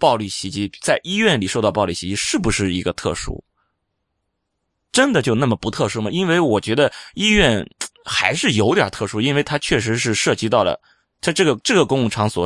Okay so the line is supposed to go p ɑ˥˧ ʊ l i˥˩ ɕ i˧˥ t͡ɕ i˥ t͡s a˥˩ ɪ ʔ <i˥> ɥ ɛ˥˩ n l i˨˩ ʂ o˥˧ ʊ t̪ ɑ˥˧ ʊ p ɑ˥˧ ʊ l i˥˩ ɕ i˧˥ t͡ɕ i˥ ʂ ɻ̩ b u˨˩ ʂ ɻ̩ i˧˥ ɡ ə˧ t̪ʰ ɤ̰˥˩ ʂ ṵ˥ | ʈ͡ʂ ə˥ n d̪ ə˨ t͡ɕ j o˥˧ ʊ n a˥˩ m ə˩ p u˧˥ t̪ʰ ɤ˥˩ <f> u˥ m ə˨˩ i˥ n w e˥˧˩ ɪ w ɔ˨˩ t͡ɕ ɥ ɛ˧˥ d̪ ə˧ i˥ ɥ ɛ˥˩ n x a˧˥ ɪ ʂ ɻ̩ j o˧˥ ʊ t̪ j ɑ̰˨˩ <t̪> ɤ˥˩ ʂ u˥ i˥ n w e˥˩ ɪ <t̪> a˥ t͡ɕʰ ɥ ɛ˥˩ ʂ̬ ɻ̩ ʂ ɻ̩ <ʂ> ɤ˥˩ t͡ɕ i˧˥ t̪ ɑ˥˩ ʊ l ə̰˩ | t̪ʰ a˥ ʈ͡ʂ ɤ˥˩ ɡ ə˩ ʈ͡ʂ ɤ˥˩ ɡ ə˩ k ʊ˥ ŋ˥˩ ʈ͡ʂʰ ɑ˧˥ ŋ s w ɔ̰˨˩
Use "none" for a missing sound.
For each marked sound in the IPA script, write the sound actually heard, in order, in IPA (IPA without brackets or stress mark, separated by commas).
i˥, ʂ, t̪ʰ, t̪ʰ, ʂ